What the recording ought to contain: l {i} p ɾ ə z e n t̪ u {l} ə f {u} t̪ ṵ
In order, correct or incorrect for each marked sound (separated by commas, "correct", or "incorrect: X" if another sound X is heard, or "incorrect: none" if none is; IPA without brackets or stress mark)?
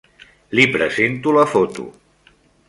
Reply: correct, correct, incorrect: o